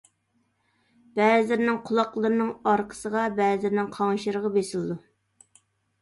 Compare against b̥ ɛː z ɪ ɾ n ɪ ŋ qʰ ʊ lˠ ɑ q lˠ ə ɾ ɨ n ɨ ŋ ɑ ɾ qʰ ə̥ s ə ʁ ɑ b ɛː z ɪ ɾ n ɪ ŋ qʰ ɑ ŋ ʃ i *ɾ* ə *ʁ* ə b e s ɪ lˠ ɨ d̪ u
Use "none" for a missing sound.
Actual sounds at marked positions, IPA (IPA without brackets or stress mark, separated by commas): ɾ, ʁ